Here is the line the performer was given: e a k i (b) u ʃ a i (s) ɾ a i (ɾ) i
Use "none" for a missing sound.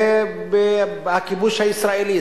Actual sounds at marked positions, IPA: b, s, l

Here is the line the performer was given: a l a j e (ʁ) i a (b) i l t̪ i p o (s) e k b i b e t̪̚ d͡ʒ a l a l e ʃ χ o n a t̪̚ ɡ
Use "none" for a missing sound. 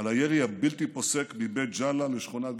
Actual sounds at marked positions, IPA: ʁ, b, s

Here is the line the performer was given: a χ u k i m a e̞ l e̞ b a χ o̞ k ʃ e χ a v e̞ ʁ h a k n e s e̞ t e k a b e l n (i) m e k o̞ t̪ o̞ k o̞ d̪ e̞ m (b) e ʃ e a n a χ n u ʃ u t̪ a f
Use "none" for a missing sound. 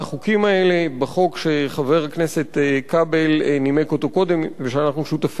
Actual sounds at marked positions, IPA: i, v

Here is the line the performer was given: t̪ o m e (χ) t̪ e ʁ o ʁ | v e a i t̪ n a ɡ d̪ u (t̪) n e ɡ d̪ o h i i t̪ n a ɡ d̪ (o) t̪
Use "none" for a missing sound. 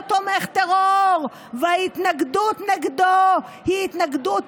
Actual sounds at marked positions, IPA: χ, t̪, u

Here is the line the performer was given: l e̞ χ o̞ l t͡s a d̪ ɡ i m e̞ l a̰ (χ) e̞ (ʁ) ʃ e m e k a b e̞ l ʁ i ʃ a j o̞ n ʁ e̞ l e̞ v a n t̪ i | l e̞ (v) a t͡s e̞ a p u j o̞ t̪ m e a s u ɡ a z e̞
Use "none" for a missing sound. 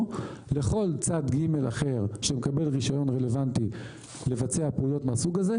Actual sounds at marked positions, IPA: χ, ʁ, v

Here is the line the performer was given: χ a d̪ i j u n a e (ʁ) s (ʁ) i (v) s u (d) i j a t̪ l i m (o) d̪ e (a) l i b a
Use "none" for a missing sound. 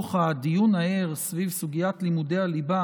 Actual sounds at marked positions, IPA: ʁ, v, v, ɡ, u, a

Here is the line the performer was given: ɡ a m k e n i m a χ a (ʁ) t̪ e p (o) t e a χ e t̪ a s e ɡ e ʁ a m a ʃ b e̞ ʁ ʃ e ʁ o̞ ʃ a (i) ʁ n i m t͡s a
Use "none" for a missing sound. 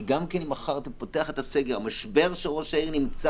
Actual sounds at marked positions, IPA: ʁ, o, i

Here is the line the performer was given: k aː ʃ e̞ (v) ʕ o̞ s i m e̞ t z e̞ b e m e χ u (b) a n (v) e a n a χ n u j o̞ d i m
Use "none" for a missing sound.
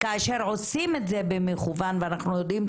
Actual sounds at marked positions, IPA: ʁ, v, v

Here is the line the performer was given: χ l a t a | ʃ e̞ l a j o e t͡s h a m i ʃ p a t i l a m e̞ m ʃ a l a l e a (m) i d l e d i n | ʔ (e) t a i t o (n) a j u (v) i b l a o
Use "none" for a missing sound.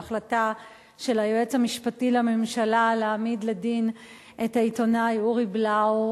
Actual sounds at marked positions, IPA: m, e, n, ʁ

